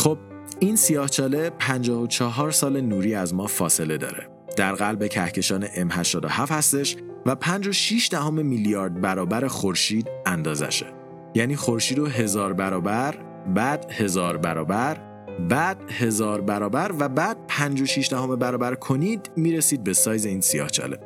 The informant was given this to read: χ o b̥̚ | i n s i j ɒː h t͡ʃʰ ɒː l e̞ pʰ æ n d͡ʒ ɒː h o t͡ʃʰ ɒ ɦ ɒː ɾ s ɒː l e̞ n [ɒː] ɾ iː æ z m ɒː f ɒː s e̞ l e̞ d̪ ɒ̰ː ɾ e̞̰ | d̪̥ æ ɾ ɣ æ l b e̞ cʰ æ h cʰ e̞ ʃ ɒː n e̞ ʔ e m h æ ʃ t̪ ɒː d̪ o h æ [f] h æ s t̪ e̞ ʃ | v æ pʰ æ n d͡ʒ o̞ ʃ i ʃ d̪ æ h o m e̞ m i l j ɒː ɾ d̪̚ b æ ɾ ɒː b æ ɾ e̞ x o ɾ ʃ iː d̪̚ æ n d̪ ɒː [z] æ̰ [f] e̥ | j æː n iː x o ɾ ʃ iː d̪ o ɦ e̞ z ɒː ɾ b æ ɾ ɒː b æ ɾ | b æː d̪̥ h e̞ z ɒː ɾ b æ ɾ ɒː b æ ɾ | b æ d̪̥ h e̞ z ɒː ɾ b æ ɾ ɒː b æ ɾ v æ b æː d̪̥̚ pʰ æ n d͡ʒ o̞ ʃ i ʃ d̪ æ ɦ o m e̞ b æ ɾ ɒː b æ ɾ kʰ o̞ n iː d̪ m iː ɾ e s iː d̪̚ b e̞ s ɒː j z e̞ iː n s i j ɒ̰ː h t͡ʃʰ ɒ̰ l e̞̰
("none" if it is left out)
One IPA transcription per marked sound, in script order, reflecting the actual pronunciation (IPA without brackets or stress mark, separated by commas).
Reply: uː, f, z, ʃ